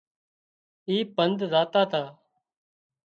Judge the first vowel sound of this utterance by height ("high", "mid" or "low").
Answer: high